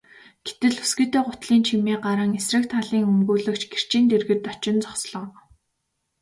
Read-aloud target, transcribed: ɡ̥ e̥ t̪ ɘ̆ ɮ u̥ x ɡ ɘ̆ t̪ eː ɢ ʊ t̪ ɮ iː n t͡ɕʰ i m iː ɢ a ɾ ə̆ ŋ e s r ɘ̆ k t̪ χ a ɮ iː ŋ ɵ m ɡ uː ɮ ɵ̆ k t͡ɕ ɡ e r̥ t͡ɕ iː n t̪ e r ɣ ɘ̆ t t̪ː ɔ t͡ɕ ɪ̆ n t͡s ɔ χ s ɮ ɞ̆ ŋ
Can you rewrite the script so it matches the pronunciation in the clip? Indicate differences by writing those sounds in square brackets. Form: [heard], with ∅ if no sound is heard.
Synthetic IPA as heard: ɡ̥ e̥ t̪ ɘ̆ ɮ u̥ [s] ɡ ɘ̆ t̪ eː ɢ ʊ t̪ ɮ iː n t͡ɕʰ i m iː ɢ a ɾ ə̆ ŋ e s r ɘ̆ k t̪ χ a ɮ iː ŋ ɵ m ɡ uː ɮ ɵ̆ k t͡ɕ ɡ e r̥ t͡ɕ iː n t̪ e r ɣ ɘ̆ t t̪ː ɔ t͡ɕ ɪ̆ n t͡s ɔ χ s ɮ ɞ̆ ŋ

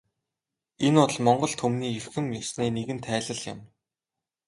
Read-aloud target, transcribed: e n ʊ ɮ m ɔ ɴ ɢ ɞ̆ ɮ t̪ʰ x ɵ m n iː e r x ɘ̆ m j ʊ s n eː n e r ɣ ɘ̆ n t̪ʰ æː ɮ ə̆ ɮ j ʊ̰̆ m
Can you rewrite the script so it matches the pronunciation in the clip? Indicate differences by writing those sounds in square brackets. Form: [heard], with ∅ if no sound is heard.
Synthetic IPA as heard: e n ʊ ɮ m ɔ ɴ ɢ ɞ̆ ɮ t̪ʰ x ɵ m n iː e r x ɘ̆ m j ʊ s n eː n e [∅] ɣ ɘ̆ n t̪ʰ æː ɮ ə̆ ɮ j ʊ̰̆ m

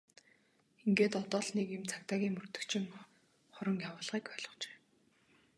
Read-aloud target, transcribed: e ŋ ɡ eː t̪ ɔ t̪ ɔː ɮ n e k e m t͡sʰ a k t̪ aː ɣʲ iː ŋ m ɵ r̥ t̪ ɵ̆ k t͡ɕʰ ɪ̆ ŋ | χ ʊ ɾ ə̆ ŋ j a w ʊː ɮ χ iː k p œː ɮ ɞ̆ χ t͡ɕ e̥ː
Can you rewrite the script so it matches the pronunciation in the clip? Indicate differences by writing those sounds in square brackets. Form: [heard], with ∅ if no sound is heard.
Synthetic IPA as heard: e ŋ ɡ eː t̪ ɔ t̪ ɔː ɮ n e k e m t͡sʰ a k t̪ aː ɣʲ iː ŋ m ɵ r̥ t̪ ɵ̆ k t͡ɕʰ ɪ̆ ŋ | χ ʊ ɾ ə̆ ŋ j a w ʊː ɮ [ʁ] iː k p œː ɮ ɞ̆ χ t͡ɕ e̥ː

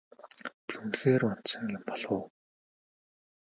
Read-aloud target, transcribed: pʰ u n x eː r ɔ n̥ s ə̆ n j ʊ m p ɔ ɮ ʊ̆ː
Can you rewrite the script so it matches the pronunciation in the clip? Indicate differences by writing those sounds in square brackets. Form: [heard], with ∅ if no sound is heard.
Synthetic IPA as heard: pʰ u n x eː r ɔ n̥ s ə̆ [ŋ] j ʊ m p ɔ ɮ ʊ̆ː

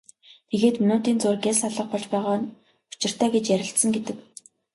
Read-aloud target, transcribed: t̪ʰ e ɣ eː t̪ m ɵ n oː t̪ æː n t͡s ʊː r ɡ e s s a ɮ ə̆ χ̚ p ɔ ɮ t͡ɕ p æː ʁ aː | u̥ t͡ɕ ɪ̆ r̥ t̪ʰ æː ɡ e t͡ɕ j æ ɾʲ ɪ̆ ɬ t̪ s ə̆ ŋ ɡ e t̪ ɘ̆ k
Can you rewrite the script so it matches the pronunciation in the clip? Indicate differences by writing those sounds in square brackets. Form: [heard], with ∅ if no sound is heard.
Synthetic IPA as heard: t̪ʰ e ɣ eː t̪ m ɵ n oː t̪ [iː] n t͡s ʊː r ɡ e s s a ɮ ə̆ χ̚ p ɔ ɮ t͡ɕ p æː ʁ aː | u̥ t͡ɕ ɪ̆ r̥ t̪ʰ æː ɡ e t͡ɕ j æ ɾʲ ɪ̆ ɬ t̪ s ə̆ ŋ ɡ e t̪ ɘ̆ k

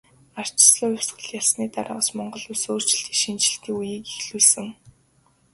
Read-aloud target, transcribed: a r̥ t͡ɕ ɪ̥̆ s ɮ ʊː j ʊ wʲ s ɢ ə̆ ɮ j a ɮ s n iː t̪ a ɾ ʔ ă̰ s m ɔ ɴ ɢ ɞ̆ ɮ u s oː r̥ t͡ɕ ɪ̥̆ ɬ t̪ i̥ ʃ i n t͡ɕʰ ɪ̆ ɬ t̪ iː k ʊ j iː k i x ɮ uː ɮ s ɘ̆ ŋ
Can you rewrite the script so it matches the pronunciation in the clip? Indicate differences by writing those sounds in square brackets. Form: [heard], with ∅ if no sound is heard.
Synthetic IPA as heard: a r̥ t͡ɕ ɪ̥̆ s ɮ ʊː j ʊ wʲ s ɢ ə̆ ɮ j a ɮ s n iː t̪ a ɾ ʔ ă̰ s m ɔ ɴ ɢ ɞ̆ ɮ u s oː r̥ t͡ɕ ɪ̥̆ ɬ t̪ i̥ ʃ i n [t͡ɕ] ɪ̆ ɬ t̪ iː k [u] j iː k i x ɮ uː ɮ s ɘ̆ ŋ

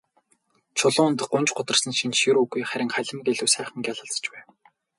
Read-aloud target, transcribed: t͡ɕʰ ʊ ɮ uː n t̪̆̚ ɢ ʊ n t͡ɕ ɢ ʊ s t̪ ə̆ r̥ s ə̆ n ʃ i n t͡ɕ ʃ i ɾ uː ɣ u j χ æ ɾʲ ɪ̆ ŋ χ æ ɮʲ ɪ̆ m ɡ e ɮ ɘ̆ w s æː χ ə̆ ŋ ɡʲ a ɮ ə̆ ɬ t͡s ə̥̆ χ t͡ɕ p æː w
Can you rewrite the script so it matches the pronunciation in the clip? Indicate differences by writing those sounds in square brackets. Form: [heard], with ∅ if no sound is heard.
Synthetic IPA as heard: t͡ɕʰ ʊ ɮ [ʊː] n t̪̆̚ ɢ ʊ n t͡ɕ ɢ ʊ [∅] t̪ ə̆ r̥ s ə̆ n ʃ i n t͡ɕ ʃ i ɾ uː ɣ u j χ æ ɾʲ ɪ̆ ŋ χ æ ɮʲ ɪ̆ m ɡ e ɮ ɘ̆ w s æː χ ə̆ ŋ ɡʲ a ɮ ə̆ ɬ t͡s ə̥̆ [∅] t͡ɕ p æː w

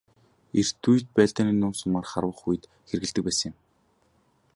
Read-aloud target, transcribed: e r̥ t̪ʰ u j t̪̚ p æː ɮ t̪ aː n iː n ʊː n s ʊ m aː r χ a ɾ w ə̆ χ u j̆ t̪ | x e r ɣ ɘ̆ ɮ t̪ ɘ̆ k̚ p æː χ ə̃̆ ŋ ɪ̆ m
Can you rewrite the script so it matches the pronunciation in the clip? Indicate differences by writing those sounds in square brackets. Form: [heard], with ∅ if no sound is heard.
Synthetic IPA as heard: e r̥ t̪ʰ u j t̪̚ p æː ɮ t̪ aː n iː n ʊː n s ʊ m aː r χ a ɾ w ə̆ χ u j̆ t̪ | x e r ɣ ɘ̆ ɮ t̪ ɘ̆ k̚ p æː [s] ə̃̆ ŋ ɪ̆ m

